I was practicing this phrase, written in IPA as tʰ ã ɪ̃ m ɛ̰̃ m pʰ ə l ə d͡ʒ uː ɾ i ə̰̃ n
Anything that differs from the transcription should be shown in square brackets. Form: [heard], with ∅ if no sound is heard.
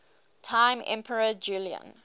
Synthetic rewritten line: tʰ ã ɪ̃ m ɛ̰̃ m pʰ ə [ɹ] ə d͡ʒ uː [l] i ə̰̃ n